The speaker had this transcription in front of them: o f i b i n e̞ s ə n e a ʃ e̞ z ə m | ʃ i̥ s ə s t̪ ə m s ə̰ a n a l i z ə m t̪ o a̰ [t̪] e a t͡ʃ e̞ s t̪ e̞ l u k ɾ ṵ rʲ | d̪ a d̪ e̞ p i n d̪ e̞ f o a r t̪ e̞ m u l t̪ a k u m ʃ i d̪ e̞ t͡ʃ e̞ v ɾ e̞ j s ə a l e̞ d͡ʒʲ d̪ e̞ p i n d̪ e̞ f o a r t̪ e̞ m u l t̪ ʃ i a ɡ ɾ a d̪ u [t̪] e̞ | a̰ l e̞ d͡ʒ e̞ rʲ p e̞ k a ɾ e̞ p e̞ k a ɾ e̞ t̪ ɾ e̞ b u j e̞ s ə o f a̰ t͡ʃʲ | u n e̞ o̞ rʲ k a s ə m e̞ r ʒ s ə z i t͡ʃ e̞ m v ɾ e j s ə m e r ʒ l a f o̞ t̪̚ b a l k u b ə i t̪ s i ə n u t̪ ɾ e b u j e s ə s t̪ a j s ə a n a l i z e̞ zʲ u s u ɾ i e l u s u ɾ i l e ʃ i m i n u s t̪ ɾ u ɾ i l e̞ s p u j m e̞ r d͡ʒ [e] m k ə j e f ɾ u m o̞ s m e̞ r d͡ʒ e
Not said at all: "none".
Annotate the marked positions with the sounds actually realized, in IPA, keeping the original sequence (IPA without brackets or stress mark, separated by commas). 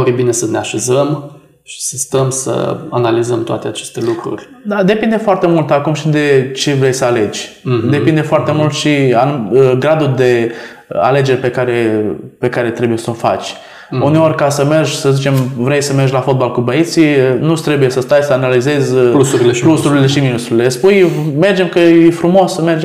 t̪, d̪, e